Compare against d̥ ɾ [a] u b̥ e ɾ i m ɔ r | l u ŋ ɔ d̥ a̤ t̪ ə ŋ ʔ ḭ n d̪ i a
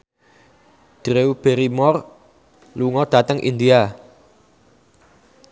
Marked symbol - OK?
no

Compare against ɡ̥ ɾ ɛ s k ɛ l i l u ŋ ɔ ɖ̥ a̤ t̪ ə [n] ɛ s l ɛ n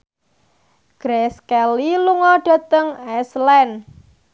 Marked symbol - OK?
no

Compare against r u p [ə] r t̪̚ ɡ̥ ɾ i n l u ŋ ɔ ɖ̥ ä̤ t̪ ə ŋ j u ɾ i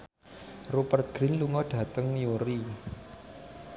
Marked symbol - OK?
yes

